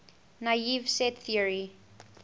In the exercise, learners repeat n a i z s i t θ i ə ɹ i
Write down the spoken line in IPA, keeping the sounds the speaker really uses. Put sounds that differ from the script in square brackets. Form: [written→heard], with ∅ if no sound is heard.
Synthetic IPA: n a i [z→v] s [i→ɛ] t θ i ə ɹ i